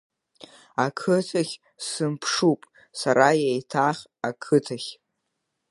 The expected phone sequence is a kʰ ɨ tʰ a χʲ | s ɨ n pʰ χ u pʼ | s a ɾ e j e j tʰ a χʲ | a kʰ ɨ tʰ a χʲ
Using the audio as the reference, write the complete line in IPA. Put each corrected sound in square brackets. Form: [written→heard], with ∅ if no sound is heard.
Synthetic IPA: a kʰ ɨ tʰ a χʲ | s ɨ [n→m] pʰ [χ→ʂ] u pʼ | s a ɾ [e→a] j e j tʰ a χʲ | a kʰ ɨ tʰ a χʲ